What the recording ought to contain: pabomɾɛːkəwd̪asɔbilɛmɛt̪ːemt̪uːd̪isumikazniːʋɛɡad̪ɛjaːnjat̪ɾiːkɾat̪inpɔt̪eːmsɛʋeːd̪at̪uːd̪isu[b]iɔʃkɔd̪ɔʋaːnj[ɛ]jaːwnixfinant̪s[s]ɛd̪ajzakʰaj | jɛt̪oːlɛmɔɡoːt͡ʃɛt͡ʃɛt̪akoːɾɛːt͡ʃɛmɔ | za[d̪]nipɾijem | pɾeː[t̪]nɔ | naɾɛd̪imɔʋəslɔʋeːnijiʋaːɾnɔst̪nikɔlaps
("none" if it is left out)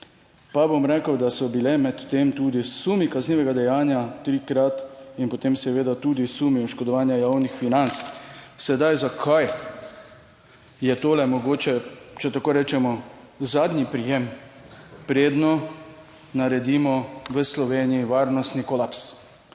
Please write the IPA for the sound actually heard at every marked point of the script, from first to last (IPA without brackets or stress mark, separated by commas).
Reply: m, a, s, d̪, d̪